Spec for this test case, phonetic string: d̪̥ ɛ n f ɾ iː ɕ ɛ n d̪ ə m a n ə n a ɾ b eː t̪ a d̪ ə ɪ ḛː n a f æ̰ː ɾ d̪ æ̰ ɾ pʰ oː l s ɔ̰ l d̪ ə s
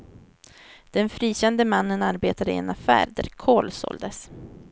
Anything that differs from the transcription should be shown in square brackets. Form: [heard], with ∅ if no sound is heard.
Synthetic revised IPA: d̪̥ ɛ n f ɾ iː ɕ ɛ n d̪ ə m a [nː] ə n a ɾ b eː t̪ a d̪ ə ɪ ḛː n a f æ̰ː ɾ d̪ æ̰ ɾ [kʰ] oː l s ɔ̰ l d̪ ə s